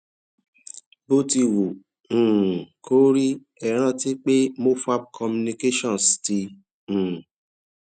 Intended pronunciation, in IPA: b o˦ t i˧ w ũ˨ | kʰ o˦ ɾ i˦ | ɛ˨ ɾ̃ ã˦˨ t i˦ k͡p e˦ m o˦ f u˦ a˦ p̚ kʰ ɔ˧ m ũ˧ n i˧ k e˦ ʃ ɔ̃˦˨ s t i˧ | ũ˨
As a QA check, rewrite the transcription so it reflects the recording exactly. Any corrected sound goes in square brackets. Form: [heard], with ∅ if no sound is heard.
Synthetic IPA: b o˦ t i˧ w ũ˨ | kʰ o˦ ɾ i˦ | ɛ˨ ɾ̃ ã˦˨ t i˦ k͡p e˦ m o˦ f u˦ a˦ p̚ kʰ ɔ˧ m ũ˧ n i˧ k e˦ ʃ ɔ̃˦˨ s t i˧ | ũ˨